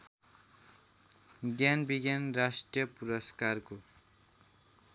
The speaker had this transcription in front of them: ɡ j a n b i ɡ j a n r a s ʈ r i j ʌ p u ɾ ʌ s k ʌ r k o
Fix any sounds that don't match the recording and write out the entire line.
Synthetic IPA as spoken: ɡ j a n b i ɡ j a n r a s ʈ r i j ʌ p u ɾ ʌ s k a r k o